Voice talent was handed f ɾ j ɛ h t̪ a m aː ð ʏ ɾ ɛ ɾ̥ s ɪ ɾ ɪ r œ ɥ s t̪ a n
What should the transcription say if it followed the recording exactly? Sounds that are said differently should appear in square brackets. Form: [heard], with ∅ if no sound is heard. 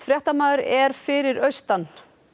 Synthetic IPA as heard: f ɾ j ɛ h t̪ a m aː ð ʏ ɾ ɛ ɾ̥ [f] ɪ ɾ ɪ [ɾ] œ ɥ s t̪ a n